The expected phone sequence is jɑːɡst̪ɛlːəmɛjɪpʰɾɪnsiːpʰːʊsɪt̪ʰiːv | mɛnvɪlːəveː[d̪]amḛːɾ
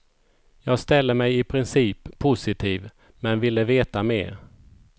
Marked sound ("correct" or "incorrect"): incorrect